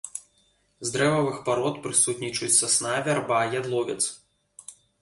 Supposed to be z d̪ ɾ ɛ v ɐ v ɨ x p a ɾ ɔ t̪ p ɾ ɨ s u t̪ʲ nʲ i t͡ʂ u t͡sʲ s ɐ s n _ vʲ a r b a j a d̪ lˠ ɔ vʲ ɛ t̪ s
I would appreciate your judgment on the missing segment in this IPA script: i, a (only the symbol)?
a